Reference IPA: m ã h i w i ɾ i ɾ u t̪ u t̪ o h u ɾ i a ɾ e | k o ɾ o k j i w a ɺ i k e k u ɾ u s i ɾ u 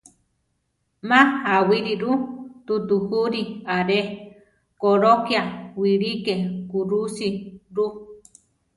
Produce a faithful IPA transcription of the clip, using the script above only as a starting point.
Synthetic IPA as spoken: m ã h a w i ɾ i ɾ u t̪ u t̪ u h u ɾ i a ɾ e | k o ɾ o k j a w i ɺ i k e k u ɾ u s i ɾ u